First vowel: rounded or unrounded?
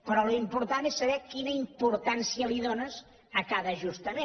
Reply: rounded